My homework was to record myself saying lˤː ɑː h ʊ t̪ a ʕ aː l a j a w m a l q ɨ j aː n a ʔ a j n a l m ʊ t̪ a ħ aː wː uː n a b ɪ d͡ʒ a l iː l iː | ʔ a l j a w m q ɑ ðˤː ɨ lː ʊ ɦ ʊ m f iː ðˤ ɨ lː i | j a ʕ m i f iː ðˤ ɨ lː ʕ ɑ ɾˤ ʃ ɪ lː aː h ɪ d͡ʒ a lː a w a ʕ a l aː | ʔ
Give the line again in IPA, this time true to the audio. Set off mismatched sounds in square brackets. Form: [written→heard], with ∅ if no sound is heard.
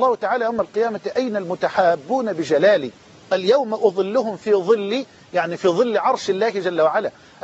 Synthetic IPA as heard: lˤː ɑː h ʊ t̪ a ʕ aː l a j a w m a l q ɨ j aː [n→m] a ʔ a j n a l m ʊ t̪ a ħ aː [wː→bː] uː n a b ɪ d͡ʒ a l [iː→aː] l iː | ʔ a l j a w m [q→ʔ] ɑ [ðˤː→ðˤ] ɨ lː ʊ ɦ ʊ m f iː ðˤ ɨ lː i | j a ʕ [m→n] i f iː ðˤ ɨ lː ʕ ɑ ɾˤ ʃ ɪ lː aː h ɪ d͡ʒ a lː a w a ʕ a l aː | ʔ